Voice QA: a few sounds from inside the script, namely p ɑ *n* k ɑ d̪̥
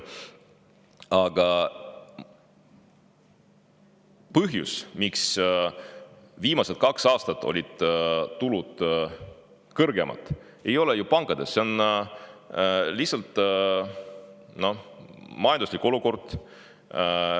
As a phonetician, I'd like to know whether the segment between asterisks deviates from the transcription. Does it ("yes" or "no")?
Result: yes